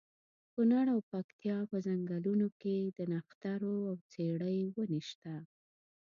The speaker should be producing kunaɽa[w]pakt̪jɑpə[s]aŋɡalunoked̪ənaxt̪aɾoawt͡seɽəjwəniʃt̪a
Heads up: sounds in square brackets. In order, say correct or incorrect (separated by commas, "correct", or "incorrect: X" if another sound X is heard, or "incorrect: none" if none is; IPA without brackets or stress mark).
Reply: correct, incorrect: z